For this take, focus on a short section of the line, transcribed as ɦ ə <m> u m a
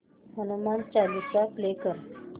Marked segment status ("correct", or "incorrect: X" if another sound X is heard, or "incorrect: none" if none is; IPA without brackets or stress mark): incorrect: n